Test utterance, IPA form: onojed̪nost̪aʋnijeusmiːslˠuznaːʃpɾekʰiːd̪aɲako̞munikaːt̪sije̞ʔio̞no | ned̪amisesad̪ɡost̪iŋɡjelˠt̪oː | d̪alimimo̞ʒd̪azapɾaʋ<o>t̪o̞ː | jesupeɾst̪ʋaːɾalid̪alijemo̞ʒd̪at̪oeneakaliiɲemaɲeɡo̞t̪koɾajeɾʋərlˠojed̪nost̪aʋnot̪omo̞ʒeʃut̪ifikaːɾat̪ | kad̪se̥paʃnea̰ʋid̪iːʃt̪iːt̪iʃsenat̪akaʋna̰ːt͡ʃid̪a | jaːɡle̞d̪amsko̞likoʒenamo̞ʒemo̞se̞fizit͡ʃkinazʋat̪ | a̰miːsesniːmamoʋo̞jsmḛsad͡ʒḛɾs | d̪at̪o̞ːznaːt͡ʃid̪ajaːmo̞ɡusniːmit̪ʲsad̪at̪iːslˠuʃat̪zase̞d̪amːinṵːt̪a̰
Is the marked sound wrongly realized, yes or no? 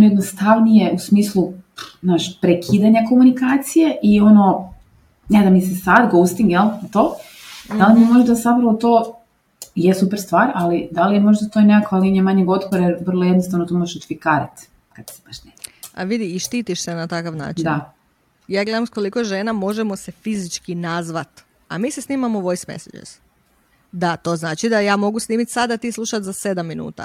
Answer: no